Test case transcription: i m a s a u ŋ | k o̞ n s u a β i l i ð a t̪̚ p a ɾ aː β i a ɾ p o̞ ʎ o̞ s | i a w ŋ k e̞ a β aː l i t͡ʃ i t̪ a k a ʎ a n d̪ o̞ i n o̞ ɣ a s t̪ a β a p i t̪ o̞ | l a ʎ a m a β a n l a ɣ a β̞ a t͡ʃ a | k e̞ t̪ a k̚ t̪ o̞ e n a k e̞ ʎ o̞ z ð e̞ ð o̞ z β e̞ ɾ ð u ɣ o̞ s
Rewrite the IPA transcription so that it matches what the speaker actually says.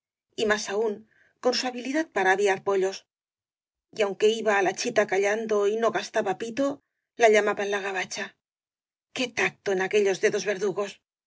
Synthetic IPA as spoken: i m a s a u ŋ | k o̞ n s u a β i l i ð a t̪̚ p a ɾ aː β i a ɾ p o̞ ʎ o̞ s | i a w ŋ k e̞ i β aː l a t͡ʃ i t̪ a k a ʎ a n d̪ o̞ i n o̞ ɣ a s t̪ a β a p i t̪ o̞ | l a ʎ a m a β a n l a ɣ a β̞ a t͡ʃ a | k e̞ t̪ a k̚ t̪ o̞ e n a k e̞ ʎ o̞ z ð e̞ ð o̞ z β e̞ ɾ ð u ɣ o̞ s